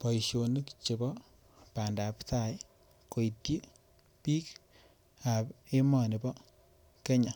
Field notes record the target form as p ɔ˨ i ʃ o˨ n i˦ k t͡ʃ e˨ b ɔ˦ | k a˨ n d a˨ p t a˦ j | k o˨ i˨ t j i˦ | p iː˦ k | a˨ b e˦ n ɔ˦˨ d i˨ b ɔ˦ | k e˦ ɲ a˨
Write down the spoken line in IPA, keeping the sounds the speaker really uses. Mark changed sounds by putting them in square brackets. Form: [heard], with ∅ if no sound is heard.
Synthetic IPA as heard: p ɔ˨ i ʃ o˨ n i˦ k t͡ʃ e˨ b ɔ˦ | [p] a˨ n d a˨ p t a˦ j | k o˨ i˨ t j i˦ | p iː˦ k | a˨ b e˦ [m] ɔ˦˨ [n] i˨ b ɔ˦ | k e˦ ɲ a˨